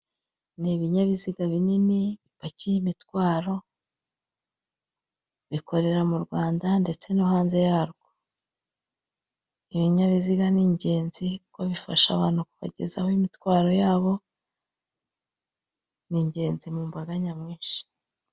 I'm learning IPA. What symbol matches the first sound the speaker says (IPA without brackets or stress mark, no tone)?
n